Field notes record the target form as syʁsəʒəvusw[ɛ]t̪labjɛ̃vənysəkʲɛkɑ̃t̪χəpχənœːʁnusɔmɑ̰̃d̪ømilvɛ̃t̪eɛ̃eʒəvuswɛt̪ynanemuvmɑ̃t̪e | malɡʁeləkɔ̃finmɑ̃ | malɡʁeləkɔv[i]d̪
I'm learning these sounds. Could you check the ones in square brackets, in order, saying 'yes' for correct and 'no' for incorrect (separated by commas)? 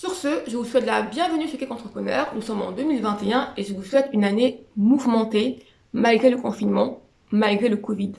yes, yes